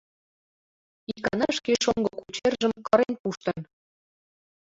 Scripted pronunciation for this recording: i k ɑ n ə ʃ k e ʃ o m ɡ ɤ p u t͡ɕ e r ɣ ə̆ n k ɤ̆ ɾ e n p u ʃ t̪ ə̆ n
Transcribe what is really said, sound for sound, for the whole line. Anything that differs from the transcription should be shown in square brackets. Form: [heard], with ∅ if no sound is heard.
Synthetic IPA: i k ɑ n [ɑ] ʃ k e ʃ o [ŋ] ɡ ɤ [k] u t͡ɕ e r [ʒ] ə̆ [m] k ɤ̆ ɾ e n p u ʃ t̪ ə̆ n